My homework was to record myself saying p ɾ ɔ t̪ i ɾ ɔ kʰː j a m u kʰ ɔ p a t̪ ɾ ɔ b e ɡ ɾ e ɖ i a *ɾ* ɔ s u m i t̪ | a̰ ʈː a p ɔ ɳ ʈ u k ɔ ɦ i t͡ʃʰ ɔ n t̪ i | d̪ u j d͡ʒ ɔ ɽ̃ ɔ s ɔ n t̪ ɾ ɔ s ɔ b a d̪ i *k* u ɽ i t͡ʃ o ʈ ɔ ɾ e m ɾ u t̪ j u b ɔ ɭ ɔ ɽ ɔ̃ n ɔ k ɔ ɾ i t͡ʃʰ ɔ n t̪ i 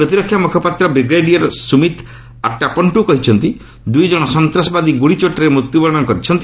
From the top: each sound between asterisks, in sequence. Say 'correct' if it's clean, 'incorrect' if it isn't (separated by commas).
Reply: correct, incorrect